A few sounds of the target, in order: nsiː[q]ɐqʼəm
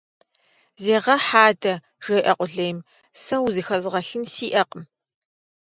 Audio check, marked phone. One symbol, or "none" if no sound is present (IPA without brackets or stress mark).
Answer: ʔ